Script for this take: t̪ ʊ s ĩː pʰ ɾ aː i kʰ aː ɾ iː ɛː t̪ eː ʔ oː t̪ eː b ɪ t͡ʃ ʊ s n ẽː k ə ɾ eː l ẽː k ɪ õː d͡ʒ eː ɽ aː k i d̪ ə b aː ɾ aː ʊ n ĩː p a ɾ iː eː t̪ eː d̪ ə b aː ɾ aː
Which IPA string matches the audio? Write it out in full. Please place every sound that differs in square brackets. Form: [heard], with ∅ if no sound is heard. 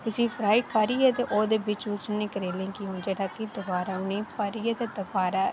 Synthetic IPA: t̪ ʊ s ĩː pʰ ɾ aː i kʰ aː ɾ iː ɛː t̪ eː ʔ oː [d̪] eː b ɪ t͡ʃ ʊ s n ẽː k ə ɾ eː l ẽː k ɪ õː d͡ʒ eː ɽ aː k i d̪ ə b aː ɾ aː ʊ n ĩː p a ɾ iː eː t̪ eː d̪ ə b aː ɾ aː